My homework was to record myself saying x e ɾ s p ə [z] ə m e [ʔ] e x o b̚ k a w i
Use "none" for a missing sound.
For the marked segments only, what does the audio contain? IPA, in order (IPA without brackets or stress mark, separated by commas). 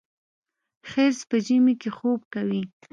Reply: ʒ, k